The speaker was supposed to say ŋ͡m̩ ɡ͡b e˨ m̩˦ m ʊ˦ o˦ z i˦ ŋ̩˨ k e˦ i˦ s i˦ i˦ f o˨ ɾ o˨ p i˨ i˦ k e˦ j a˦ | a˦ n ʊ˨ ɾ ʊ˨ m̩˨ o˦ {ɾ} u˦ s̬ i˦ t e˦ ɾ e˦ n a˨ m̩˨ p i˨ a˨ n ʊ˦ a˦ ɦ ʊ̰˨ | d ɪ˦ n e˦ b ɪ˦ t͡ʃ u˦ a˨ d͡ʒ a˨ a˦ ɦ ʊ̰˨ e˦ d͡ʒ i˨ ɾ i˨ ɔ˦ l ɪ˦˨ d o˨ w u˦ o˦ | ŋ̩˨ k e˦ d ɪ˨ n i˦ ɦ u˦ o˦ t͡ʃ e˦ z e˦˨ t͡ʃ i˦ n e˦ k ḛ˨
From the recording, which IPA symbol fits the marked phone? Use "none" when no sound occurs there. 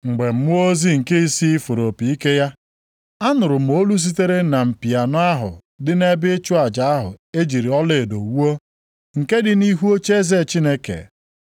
l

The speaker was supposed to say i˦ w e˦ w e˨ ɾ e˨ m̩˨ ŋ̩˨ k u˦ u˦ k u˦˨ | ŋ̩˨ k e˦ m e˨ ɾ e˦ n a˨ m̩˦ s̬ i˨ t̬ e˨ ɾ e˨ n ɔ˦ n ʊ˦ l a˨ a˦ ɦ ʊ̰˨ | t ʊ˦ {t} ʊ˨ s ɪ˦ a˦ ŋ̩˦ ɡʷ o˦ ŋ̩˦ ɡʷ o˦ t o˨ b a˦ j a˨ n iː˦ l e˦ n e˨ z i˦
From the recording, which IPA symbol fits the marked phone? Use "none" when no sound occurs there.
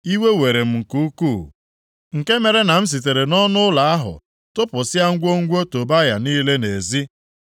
p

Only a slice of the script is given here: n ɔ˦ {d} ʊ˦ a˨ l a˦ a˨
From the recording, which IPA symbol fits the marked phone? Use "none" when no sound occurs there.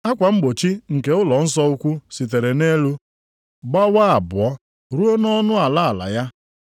n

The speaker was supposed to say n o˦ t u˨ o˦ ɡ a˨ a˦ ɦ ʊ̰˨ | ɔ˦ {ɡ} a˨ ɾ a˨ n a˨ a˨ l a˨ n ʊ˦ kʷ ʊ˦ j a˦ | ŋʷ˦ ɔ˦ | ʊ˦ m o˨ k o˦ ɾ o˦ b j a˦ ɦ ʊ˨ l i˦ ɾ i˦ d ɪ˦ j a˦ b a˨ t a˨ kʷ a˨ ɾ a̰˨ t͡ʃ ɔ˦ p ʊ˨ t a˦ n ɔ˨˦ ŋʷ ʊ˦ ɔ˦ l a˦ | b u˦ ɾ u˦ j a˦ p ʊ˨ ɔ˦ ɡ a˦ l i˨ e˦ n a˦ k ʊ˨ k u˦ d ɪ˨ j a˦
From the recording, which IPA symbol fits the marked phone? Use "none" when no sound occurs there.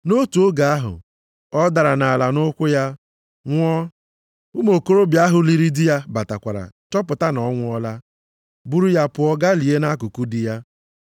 d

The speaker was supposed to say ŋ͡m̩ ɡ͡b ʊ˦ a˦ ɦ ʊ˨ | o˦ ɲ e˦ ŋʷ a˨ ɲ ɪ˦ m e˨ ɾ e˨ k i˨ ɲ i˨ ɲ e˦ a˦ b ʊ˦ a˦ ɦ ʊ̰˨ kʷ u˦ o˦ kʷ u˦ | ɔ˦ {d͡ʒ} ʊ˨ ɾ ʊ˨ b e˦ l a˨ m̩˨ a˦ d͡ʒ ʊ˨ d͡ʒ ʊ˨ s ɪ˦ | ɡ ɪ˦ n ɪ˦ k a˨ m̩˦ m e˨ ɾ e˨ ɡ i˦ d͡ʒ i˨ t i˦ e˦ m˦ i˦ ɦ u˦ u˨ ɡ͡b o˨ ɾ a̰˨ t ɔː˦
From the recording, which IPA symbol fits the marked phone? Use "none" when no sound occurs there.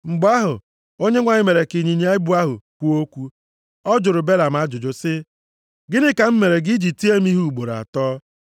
d͡ʒ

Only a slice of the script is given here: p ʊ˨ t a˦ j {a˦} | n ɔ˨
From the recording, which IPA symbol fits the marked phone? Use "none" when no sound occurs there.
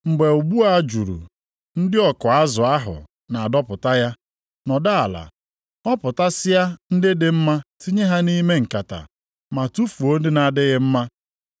a˦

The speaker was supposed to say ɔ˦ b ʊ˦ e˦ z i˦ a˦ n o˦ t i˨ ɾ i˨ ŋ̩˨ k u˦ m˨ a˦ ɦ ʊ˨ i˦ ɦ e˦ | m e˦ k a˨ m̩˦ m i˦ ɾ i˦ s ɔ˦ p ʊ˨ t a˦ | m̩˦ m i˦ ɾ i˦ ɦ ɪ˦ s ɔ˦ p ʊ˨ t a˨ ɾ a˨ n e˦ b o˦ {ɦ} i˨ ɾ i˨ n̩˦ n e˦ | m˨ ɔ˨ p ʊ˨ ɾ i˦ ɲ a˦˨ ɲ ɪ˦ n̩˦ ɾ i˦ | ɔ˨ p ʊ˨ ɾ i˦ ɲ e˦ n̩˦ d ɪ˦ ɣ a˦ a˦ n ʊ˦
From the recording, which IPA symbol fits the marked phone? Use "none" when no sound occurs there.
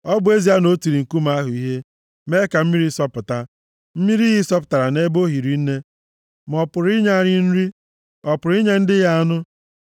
ɦ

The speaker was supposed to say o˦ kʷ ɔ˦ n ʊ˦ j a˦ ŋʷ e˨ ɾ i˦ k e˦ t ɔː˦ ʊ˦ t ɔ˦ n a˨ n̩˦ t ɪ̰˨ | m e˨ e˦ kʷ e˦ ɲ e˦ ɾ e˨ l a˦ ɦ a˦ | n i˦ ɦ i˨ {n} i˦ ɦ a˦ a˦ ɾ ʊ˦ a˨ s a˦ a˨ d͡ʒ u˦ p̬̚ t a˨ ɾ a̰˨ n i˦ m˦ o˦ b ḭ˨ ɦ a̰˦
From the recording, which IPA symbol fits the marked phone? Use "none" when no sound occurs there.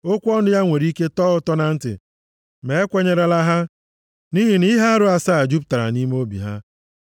n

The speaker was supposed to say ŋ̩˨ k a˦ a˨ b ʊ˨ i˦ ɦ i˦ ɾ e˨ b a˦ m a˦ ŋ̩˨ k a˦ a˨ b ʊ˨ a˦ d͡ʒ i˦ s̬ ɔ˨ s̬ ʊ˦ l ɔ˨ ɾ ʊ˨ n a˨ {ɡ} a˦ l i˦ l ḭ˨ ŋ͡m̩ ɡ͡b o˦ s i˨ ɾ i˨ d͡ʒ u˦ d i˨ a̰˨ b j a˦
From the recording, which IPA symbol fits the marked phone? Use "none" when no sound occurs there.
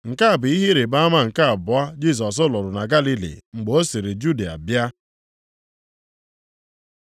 ɡ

